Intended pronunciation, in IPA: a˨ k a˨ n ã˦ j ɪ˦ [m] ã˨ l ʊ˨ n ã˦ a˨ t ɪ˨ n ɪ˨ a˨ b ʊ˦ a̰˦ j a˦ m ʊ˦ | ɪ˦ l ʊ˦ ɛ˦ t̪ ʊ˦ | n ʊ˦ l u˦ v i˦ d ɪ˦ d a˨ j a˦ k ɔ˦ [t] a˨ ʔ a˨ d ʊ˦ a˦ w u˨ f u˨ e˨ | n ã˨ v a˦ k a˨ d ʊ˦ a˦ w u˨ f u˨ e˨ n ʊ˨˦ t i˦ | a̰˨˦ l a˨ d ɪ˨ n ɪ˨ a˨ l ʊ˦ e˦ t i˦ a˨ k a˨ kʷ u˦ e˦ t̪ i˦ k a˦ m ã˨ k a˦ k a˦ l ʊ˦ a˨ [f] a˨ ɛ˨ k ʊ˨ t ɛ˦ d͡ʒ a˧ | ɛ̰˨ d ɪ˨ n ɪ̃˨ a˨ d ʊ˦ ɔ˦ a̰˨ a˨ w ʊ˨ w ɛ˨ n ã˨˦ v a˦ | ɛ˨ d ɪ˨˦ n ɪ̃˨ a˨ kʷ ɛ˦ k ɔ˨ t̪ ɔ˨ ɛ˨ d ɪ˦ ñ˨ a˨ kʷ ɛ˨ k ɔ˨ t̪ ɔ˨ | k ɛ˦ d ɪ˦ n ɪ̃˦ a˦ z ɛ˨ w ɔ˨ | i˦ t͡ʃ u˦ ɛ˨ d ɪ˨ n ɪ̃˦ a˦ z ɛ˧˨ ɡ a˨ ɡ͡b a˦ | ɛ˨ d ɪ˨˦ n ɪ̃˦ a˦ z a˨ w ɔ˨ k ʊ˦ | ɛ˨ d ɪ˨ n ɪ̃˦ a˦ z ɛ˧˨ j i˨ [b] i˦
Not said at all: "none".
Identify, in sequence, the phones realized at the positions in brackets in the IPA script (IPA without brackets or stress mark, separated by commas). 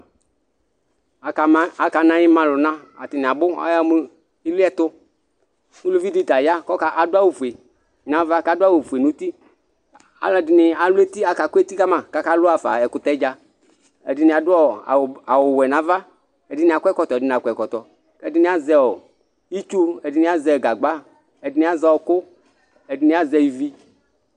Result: m, k, f, v